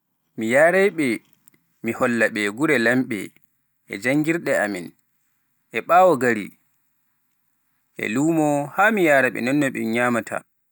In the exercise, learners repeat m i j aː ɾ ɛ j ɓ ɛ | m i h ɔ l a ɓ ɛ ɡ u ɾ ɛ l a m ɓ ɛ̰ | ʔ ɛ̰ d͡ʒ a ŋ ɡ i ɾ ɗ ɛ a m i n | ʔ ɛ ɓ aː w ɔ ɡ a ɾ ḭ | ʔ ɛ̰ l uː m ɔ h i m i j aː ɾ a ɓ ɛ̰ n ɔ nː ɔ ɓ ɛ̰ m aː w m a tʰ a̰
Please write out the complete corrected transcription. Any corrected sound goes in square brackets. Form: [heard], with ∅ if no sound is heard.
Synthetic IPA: m i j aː ɾ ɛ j ɓ ɛ | m i h ɔ [lː] a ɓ ɛ ɡ u ɾ ɛ l a m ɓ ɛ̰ | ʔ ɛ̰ d͡ʒ a ŋ ɡ i ɾ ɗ ɛ a m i n | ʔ ɛ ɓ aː w ɔ ɡ a ɾ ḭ | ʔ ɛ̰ l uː m ɔ h [a] m i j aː ɾ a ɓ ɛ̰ n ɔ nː ɔ ɓ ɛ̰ [ɲ] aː [∅] m a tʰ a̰